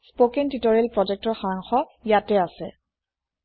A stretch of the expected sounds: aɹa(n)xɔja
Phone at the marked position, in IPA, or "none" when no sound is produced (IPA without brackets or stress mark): ŋ